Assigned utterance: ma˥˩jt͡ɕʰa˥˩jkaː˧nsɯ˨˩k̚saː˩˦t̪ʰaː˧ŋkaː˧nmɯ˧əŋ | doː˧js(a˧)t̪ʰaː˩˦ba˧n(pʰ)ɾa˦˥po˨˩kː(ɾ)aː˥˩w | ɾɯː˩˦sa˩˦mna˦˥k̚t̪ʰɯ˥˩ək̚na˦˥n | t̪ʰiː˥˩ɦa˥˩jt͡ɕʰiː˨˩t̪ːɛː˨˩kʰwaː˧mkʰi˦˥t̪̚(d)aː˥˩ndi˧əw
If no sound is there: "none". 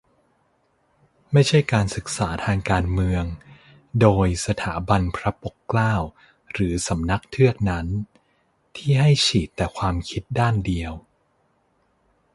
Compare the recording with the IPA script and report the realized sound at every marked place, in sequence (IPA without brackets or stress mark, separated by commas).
a˧, pʰ, l, d